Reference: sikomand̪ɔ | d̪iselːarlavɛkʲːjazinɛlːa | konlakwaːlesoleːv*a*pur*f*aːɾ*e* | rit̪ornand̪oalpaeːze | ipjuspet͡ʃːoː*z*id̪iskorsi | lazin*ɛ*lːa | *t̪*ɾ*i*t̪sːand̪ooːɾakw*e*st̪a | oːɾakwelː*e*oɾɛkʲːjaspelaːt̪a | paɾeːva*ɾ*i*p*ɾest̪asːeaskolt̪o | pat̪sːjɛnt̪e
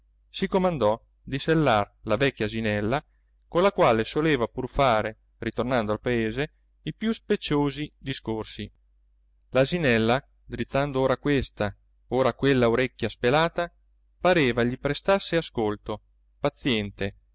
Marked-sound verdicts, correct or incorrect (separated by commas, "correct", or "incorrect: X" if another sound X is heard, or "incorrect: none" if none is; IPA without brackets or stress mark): correct, correct, correct, correct, correct, incorrect: d̪, correct, correct, incorrect: a, incorrect: ʎ, correct